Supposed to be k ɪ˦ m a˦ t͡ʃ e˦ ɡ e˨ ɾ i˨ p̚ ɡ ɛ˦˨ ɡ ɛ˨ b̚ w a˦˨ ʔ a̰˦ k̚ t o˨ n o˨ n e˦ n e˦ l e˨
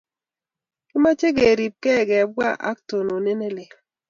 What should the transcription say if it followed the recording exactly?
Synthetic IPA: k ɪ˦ m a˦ t͡ʃ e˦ ɡ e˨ ɾ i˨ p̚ k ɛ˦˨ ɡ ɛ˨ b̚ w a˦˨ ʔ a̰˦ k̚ t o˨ n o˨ n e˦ n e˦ l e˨